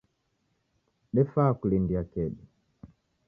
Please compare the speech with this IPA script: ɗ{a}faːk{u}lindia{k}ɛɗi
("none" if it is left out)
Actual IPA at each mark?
ɛ, u, k

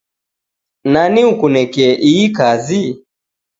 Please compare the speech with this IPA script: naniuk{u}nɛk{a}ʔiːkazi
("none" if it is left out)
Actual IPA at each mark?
u, ɛ

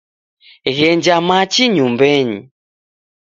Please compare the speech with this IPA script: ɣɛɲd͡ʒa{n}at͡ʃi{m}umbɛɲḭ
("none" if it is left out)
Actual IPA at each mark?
m, ɲ

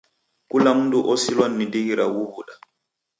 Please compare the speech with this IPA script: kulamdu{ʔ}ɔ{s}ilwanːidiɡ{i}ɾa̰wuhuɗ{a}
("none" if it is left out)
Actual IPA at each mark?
ʔ, s, i, a

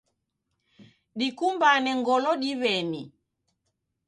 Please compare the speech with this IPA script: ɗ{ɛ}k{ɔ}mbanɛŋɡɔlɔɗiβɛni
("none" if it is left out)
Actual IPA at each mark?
i, u

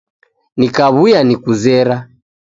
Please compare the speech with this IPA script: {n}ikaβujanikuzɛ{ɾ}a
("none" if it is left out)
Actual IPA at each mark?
n, ɾ

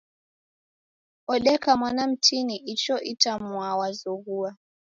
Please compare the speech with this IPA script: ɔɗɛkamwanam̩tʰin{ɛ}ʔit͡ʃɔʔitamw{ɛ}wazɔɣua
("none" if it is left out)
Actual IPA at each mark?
i, a

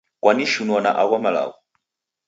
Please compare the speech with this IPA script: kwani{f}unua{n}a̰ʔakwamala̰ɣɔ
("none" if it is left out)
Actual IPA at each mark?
ʃ, n

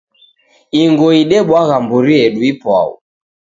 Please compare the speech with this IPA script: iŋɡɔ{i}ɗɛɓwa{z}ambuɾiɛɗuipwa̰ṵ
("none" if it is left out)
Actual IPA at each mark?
i, ɣ

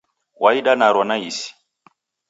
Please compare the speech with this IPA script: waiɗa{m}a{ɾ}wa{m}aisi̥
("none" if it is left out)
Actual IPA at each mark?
n, ɾ, n

